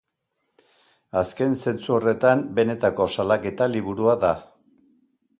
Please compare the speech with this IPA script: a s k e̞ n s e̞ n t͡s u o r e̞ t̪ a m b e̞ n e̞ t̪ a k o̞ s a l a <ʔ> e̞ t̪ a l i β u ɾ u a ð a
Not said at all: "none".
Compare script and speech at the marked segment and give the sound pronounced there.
k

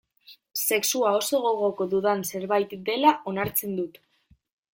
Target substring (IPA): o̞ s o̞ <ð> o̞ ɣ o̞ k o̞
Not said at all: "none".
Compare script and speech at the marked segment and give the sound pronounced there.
ɣ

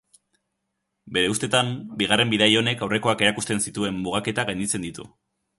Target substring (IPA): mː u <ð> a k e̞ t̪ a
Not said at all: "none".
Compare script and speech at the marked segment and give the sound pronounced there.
ɣ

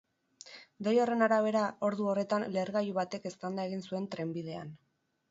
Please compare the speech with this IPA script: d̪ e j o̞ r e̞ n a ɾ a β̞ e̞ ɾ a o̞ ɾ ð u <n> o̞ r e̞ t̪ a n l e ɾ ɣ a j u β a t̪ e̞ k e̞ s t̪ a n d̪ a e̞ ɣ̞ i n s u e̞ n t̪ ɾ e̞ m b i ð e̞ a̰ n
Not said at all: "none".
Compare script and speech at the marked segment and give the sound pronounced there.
none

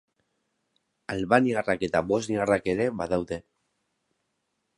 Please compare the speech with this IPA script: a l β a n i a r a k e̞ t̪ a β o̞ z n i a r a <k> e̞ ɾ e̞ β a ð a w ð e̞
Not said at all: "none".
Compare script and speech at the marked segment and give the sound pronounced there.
k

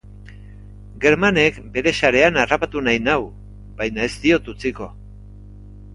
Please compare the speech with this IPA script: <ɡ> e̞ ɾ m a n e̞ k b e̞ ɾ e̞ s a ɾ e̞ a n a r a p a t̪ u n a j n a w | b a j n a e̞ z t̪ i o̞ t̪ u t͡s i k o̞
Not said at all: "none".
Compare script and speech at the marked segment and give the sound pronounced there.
ɡ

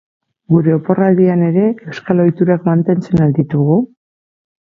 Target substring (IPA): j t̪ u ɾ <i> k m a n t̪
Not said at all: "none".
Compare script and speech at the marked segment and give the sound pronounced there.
a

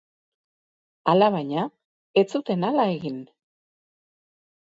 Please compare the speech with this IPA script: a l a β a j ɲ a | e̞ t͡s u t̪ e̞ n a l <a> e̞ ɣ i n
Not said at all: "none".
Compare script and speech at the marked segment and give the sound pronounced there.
a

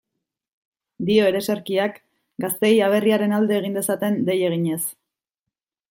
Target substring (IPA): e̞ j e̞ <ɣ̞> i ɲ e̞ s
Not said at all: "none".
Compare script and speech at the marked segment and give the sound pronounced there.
ɣ̞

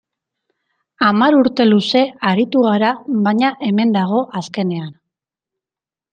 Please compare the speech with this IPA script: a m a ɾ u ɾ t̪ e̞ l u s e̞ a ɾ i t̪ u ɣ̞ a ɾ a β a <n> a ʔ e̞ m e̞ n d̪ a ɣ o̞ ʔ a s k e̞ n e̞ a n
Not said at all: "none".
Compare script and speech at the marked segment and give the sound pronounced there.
ɲ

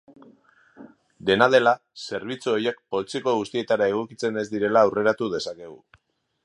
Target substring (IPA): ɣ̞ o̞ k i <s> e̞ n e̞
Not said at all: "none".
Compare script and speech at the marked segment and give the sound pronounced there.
t͡s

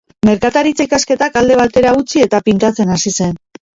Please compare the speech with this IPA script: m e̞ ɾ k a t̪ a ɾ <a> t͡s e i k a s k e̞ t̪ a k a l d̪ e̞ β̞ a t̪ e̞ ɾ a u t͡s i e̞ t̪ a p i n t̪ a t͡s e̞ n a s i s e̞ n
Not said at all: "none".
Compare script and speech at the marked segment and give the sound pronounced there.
i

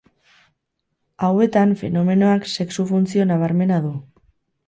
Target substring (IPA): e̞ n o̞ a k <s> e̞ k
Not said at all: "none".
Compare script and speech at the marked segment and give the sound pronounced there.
s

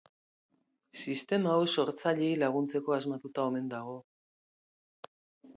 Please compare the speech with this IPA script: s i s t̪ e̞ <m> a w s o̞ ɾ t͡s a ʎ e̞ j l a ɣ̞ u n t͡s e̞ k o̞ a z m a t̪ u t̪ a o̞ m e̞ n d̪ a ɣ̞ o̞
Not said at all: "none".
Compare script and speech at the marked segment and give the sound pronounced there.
m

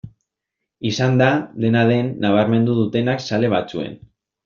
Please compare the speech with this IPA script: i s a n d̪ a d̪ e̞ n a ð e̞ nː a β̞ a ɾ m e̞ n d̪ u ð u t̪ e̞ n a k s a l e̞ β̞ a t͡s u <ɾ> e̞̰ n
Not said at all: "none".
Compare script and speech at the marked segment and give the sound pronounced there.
none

